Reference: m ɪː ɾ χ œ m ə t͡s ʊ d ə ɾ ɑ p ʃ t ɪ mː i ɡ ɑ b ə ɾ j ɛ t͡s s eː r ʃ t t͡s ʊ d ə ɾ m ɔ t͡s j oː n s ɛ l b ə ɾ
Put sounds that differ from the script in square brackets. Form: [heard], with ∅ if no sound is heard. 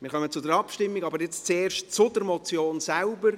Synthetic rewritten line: m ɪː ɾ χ œ m ə t͡s ʊ d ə ɾ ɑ p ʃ t ɪ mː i ɡ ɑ b ə ɾ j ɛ t͡s [t͡s] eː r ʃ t t͡s ʊ d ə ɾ m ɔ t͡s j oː n s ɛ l b ə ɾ